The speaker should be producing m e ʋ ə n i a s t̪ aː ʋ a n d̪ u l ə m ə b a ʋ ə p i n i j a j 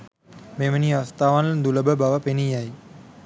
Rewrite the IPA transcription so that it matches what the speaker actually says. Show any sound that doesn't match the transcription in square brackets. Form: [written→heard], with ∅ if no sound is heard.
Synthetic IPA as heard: m e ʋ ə n i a s t̪ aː ʋ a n d̪ u l ə [m→b] ə b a ʋ ə p [i→e] n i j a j